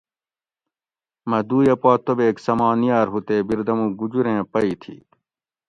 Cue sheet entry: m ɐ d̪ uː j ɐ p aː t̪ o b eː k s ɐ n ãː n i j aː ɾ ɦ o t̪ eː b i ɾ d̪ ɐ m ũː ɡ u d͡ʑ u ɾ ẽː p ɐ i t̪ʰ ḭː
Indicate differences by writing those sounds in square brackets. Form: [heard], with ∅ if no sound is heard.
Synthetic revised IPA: m ɐ d̪ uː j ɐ p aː t̪ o b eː k s ɐ [m] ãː n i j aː ɾ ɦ [u] t̪ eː b i ɾ d̪ ɐ m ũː ɡ u d͡ʑ u ɾ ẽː p ɐ i t̪ʰ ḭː